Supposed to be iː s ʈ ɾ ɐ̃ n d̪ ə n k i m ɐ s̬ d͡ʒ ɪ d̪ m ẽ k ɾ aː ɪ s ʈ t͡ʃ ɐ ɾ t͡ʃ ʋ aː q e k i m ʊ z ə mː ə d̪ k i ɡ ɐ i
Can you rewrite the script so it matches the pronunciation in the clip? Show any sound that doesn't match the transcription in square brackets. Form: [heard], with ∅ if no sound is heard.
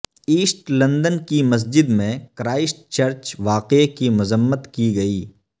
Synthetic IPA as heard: iː s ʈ [l] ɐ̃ n d̪ ə n k i m ɐ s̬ d͡ʒ ɪ d̪ m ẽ k ɾ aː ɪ s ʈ t͡ʃ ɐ ɾ t͡ʃ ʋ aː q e k i m ʊ z ə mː ə [t̪] k i ɡ ɐ [iː]